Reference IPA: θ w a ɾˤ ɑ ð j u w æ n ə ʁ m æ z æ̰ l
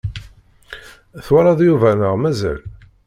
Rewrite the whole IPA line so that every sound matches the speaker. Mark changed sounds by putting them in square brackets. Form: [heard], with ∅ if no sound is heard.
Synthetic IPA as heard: θ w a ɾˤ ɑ ð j u [v] æ n ə ʁ m æ z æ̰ l